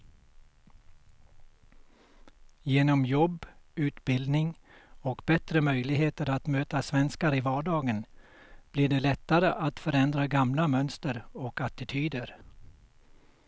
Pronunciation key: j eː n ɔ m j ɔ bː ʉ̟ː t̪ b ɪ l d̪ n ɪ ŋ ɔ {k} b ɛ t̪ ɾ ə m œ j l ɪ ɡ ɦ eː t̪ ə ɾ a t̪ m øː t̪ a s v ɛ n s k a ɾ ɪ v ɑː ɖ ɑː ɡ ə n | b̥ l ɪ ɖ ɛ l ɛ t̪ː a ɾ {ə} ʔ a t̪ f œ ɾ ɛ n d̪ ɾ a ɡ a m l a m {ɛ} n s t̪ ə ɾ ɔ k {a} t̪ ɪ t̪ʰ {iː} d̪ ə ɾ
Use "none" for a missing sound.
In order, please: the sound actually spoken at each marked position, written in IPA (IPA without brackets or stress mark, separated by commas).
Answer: k, ə, œ, a, yː